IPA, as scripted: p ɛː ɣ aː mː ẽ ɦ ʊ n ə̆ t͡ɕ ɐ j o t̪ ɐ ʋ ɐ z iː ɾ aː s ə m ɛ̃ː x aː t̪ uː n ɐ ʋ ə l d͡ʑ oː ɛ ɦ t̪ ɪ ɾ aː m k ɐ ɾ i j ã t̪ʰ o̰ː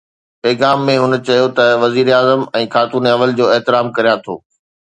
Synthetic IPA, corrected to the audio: p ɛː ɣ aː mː ẽ ɦ ʊ n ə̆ t͡ɕ ɐ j o t̪ ɐ ʋ ɐ z iː ɾ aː z ə m ɛ̃ː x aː t̪ uː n ɐ ʋ ə l d͡ʑ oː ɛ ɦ t̪ ɪ ɾ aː m k ɐ ɾ i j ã t̪ʰ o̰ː